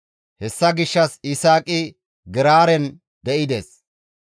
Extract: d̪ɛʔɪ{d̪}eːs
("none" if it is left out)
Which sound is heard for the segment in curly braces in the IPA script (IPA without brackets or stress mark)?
d̪